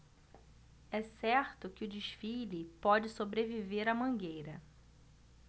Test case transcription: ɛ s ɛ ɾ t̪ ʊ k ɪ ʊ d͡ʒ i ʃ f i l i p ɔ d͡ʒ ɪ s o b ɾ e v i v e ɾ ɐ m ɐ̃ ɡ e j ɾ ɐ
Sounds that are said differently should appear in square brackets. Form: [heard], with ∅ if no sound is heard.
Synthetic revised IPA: ɛ s ɛ ɾ t̪ ʊ k ɪ ʊ d͡ʒ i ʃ f i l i p ɔ d͡ʒ ɪ s o b ɾ e v i v e ɾ ɐ m ɐ̃ ɡ e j ɾ ɐ